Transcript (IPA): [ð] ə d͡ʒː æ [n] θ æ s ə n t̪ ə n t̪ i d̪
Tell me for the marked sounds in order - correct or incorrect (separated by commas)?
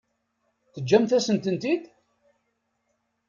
incorrect, incorrect